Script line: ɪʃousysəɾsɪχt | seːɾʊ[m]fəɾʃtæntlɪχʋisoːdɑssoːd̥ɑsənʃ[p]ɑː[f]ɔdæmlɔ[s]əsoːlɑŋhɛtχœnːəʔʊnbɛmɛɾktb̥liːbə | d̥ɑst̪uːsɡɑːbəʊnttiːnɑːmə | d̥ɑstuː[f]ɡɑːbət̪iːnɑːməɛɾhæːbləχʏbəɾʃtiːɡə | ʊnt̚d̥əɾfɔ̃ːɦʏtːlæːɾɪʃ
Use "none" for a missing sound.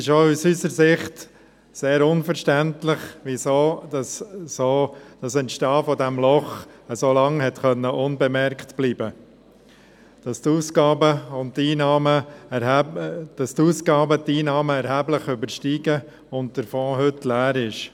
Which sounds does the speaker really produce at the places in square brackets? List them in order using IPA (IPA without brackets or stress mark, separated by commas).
n, t, f, χ, s